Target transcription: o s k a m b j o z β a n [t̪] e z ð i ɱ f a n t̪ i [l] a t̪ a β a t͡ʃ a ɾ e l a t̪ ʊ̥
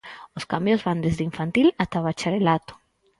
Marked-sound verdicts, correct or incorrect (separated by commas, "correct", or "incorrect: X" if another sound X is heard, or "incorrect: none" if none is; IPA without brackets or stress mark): incorrect: d̪, correct